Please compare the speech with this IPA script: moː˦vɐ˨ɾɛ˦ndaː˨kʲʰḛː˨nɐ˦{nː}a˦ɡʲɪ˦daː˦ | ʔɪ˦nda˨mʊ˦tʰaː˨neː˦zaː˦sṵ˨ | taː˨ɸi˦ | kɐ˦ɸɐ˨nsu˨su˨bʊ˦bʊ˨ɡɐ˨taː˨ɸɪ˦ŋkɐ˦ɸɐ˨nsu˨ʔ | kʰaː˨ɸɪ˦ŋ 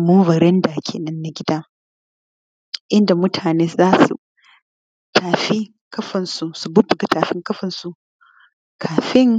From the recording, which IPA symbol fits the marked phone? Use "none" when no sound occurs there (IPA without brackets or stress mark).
nː